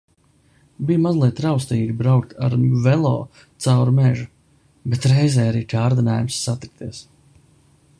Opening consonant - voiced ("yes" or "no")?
yes